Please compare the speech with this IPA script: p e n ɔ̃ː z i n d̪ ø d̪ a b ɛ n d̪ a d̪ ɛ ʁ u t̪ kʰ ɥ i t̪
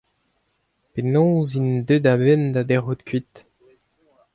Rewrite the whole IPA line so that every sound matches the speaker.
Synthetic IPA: p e n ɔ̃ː z i n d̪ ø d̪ a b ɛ n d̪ a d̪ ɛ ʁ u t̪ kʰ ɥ i t̪